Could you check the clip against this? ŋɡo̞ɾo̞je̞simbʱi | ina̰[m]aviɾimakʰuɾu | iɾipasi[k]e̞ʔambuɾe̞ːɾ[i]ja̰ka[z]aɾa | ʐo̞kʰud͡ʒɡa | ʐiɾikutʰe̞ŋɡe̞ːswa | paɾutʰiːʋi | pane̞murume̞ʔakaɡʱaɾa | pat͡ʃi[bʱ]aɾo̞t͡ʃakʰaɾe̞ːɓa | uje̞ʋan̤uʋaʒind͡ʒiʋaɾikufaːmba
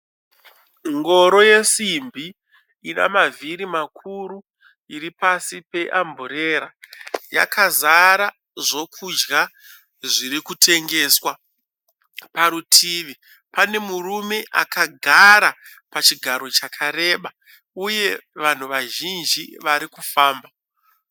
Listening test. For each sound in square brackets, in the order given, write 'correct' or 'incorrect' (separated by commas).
correct, incorrect, incorrect, correct, incorrect